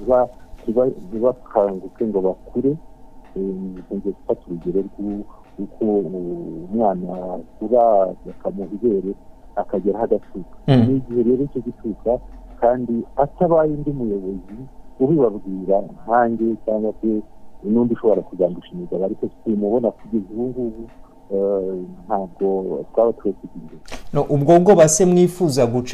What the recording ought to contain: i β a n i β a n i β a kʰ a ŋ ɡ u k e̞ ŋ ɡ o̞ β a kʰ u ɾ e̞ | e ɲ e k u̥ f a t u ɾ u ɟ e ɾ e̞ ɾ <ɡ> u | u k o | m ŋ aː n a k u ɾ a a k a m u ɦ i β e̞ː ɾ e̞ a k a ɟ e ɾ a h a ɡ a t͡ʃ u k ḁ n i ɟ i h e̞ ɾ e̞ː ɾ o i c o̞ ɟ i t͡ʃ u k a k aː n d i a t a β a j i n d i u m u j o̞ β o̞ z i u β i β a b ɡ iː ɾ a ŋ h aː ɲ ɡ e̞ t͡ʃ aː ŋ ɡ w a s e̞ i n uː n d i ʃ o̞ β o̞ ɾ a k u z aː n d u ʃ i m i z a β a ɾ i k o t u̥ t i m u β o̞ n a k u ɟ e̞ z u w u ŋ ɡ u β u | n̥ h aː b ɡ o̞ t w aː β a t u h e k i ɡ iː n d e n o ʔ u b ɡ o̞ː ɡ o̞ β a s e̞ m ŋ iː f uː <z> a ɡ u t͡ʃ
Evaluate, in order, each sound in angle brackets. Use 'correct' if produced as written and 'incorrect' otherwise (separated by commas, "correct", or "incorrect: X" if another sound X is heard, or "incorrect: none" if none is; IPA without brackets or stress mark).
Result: correct, correct